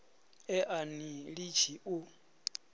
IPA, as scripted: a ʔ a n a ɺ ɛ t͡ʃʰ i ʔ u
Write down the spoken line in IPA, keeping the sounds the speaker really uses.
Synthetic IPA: ɛ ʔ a n i ɺ i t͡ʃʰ i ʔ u